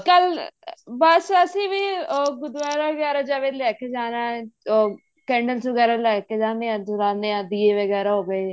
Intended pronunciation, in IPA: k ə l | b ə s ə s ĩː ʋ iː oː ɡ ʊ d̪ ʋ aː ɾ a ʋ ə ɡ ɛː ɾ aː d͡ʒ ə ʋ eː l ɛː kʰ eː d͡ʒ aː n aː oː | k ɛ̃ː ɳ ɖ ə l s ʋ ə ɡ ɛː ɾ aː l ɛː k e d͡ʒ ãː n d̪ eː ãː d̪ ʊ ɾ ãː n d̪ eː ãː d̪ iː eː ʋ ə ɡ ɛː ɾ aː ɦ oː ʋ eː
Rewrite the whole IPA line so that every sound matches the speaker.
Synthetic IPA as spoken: k ə l | b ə s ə s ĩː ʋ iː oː ɡ ʊ d̪ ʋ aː ɾ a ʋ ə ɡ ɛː ɾ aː d͡ʒ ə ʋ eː l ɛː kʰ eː d͡ʒ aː n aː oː | k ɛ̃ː ɳ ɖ ə l s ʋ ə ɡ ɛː ɾ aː l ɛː k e d͡ʒ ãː n d̪ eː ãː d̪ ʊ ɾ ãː n d̪ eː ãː d̪ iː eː ʋ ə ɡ ɛː ɾ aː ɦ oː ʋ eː